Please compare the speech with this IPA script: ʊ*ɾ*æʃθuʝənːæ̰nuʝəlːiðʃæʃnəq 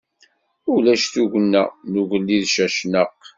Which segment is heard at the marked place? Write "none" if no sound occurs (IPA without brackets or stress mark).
l